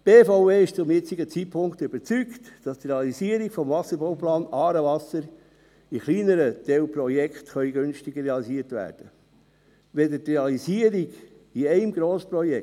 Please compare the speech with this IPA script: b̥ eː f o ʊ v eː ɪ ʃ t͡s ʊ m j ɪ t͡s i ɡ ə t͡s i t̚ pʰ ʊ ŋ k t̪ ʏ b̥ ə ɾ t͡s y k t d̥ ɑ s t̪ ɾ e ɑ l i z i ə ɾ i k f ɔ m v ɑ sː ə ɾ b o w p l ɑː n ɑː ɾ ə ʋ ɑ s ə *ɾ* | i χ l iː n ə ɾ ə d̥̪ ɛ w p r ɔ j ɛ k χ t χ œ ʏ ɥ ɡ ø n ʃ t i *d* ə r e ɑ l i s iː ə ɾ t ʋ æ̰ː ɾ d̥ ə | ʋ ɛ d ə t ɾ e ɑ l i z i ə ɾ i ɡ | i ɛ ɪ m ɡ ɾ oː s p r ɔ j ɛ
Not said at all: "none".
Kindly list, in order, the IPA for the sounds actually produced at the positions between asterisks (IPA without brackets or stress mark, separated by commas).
ɾ, ɡ